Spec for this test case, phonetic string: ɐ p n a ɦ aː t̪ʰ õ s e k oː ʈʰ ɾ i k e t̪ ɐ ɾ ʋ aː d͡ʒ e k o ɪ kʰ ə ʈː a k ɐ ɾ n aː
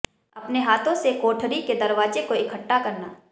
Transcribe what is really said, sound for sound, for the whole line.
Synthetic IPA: ɐ p n e ɦ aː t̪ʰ õ s e k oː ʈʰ ɾ i k e d̪ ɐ ɾ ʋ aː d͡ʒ e k o ɪ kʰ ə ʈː a k ɐ ɾ n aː